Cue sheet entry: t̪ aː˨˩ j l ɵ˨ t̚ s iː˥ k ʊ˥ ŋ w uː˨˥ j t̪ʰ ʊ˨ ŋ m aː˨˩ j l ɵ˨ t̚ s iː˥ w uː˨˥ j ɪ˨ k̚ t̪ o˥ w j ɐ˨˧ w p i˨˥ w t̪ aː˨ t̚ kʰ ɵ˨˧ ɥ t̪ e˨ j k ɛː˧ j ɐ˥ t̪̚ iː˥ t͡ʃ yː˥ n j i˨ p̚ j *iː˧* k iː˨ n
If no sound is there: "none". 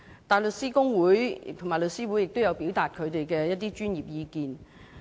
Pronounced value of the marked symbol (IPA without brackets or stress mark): iː˧